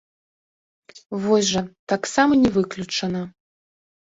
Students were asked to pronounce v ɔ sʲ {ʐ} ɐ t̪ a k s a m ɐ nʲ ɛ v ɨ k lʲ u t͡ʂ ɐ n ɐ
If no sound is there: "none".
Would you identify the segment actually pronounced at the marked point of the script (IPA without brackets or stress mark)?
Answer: ʐ